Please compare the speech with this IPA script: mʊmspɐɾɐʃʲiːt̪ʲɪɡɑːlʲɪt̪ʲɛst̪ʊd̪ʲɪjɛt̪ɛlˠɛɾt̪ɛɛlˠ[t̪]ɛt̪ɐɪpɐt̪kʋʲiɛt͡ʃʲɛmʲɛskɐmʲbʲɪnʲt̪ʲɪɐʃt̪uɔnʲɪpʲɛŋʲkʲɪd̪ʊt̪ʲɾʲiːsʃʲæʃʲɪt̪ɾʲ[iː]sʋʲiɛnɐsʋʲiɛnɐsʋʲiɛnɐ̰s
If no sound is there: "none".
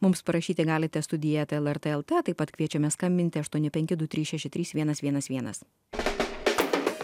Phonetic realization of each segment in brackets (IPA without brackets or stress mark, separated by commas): t̪, iː